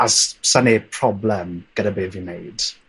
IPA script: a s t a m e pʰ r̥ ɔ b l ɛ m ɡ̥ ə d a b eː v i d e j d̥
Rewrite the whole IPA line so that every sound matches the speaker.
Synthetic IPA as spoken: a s s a n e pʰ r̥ ɔ b l ɛ m ɡ̥ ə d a b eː v i n e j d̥